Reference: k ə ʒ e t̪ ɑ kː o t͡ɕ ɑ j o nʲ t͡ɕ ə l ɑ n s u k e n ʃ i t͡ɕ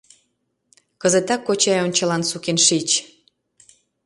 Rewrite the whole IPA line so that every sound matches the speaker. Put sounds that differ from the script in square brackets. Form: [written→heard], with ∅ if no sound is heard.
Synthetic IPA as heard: k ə [ʒ→z] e t̪ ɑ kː o t͡ɕ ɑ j o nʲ t͡ɕ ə l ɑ n s u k e n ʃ i t͡ɕ